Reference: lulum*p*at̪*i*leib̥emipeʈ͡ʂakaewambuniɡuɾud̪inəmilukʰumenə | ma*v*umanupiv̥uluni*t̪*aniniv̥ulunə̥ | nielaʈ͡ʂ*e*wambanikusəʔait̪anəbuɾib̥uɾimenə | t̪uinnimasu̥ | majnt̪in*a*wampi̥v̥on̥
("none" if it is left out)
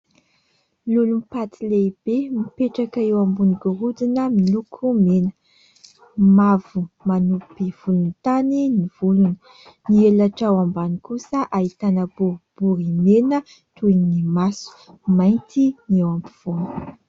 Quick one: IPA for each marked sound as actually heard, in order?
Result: p, i, v, t̪, a, e

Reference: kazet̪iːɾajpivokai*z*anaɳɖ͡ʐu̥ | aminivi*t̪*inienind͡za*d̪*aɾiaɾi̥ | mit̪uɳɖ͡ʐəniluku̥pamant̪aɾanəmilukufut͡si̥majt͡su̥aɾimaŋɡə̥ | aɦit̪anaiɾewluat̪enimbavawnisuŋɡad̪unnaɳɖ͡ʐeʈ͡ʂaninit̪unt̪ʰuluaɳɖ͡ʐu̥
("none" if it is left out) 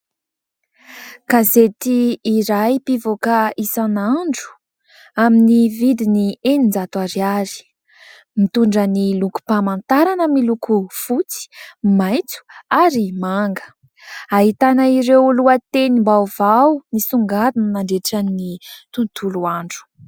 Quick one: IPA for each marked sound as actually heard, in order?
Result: s, d̪, t̪

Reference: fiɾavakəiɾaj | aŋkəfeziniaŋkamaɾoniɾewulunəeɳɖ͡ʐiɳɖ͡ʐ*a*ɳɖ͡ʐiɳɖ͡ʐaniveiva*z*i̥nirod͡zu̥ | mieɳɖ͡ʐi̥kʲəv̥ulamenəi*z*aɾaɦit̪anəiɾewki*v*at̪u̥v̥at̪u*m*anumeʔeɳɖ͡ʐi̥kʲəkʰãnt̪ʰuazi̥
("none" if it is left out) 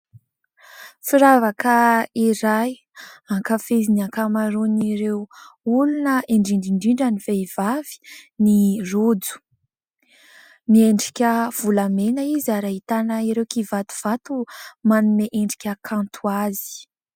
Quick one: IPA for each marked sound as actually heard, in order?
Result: i, v, z, v, m

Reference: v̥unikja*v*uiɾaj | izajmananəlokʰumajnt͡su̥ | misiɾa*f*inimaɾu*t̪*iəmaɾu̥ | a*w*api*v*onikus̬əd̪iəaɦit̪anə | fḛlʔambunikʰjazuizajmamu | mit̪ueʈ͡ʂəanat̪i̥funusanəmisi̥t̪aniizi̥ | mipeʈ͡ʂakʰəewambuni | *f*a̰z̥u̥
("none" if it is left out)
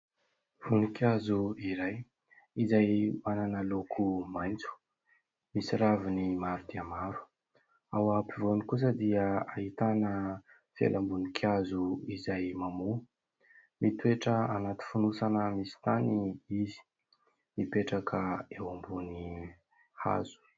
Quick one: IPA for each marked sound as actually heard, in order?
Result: z, v, d̪, w, v, h

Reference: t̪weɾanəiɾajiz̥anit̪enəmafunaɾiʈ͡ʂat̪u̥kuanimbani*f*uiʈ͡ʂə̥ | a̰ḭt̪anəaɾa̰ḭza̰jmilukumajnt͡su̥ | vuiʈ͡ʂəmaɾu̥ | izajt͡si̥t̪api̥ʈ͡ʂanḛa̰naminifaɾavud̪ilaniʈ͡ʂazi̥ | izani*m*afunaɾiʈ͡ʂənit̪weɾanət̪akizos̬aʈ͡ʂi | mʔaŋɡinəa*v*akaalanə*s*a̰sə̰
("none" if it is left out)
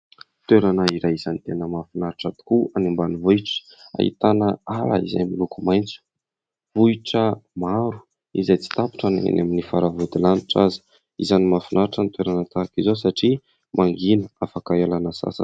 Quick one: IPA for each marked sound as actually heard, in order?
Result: v, m, f, s

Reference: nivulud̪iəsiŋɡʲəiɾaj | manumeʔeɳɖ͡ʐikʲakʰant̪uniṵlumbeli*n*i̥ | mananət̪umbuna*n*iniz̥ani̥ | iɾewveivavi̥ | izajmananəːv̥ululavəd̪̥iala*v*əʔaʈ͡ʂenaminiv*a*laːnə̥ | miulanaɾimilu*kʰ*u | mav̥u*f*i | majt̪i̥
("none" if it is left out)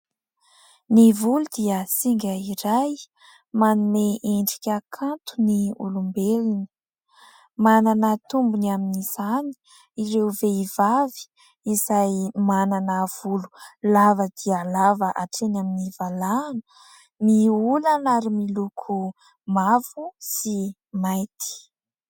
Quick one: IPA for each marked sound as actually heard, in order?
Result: n, m, v, a, kʰ, s

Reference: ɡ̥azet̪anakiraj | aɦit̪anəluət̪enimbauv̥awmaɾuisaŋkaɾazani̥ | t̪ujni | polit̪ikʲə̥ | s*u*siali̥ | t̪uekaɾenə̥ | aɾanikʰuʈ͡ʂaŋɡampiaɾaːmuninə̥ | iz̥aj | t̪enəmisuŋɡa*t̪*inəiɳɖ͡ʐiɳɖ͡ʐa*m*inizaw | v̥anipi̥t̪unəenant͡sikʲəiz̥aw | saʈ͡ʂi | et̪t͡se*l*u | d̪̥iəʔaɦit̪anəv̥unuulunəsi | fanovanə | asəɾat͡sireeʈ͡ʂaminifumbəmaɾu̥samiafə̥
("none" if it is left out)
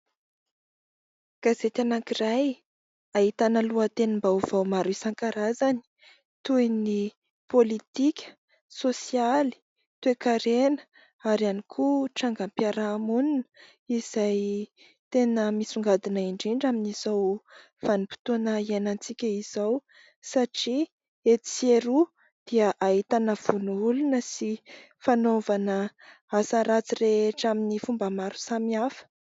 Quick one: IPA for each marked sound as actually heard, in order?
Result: o, d̪, m, ɾ

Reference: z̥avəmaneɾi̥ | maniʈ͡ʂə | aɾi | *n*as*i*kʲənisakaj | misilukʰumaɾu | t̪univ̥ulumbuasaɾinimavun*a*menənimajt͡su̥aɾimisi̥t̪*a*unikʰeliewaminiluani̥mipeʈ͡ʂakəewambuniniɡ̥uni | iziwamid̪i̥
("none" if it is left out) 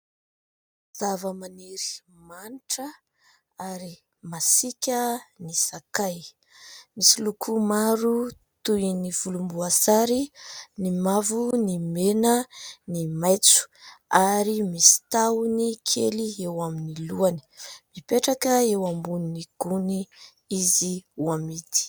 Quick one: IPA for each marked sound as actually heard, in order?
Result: m, i, i, a

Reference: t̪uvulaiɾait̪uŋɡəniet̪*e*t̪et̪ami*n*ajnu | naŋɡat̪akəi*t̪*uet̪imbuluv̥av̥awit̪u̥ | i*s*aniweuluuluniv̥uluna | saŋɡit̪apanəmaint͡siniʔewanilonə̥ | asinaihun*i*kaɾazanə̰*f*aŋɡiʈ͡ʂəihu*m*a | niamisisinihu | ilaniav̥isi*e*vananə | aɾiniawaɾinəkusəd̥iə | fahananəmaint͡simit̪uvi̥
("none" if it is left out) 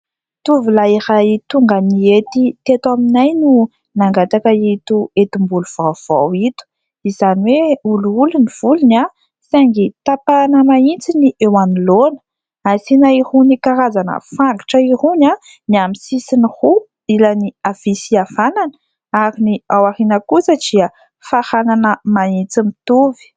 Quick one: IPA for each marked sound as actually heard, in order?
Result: i, n, t̪, z, i, f, n, a

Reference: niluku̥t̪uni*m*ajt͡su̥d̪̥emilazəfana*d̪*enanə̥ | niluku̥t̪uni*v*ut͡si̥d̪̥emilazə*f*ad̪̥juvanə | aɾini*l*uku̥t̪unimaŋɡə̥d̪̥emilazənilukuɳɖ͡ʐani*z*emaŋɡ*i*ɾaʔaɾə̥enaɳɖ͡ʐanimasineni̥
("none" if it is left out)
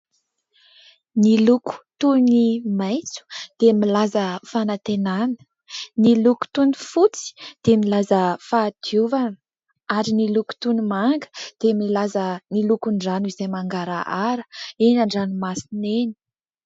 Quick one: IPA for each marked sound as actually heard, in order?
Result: m, t̪, f, f, l, z, a

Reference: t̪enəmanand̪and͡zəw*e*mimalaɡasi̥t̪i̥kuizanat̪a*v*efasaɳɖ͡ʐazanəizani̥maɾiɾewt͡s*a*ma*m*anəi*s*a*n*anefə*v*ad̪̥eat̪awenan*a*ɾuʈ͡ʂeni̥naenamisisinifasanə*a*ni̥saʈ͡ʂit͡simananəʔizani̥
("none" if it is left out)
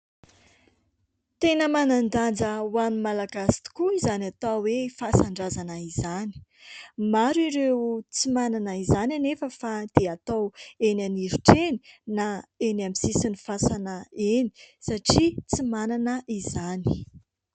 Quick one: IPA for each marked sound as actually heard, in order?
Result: a, w, i, n, z, n, f, i, e

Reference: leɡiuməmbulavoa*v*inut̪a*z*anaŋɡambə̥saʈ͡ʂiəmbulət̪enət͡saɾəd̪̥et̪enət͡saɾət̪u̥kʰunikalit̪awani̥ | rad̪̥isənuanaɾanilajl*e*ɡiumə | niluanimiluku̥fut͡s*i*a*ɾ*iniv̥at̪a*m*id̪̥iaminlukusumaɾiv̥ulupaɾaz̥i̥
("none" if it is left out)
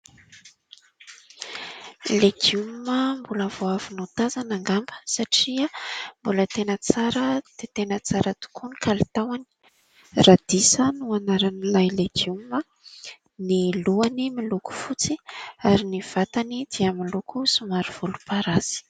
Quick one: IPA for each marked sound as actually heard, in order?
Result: v, z, e, i, ɾ, n

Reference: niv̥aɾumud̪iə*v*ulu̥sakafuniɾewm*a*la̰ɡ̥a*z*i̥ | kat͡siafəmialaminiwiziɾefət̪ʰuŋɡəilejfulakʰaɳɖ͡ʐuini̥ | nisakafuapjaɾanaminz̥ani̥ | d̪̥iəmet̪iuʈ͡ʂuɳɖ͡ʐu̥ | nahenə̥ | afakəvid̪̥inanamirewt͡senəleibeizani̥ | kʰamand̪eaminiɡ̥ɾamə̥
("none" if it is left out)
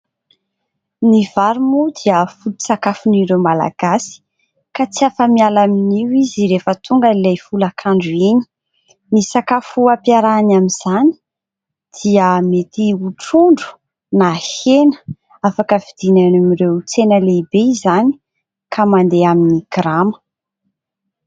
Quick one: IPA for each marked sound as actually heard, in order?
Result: f, a, s

